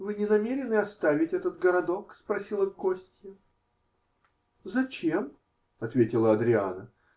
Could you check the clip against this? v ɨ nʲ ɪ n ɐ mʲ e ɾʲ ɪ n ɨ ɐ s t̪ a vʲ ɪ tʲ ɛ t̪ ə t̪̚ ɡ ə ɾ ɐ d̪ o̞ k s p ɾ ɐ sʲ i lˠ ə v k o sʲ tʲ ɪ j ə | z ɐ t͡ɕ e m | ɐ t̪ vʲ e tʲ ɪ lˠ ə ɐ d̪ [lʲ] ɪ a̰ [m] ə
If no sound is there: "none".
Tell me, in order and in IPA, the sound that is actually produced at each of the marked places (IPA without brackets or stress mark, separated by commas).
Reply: ɾʲ, n